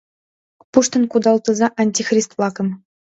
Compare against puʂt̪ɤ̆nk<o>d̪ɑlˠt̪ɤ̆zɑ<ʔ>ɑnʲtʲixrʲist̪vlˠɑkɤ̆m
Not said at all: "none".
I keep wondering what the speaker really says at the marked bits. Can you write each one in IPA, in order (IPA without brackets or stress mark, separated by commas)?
u, ʔ